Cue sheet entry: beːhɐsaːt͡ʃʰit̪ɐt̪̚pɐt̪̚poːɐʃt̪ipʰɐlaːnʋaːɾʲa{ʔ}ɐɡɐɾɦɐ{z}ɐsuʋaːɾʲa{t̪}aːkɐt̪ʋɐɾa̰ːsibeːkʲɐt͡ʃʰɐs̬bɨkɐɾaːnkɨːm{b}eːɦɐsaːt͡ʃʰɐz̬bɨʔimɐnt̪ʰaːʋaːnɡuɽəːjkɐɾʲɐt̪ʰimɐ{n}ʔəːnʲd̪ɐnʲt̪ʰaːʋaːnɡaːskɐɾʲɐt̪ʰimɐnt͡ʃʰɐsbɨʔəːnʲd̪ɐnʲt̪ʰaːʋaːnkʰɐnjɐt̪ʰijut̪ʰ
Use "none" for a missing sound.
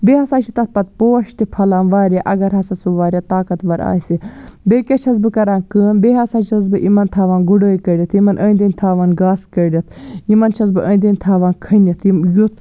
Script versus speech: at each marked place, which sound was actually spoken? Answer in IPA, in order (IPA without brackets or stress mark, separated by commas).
ʔ, s, t̪, b, n